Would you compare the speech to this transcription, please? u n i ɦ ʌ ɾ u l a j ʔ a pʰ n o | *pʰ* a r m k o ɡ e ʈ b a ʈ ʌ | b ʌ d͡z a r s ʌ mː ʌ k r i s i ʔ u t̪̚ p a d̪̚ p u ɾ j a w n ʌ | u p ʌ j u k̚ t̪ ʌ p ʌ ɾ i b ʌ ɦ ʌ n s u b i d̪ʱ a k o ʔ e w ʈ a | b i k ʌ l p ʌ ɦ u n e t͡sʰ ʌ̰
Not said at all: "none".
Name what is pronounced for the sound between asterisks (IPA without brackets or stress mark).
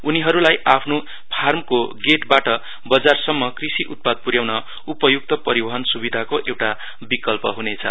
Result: pʰ